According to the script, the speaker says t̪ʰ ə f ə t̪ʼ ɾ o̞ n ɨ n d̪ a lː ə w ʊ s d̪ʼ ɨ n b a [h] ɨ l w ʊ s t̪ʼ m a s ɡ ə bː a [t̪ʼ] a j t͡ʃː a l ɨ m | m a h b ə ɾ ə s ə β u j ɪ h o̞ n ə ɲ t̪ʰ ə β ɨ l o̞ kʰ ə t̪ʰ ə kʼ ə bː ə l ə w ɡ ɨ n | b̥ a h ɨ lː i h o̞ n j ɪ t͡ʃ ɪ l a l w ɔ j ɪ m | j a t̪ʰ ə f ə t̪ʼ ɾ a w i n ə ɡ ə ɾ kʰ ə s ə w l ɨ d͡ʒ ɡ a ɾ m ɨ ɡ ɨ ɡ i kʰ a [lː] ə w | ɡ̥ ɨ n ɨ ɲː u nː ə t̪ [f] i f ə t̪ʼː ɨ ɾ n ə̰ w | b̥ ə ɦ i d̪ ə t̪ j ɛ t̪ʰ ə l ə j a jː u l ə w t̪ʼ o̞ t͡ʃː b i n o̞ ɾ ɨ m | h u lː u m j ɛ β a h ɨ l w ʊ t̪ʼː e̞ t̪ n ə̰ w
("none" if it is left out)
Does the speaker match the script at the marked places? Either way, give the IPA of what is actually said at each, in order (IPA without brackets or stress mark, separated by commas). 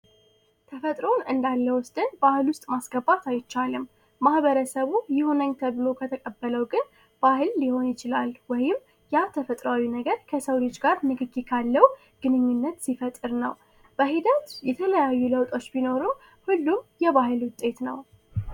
h, t̪, lː, s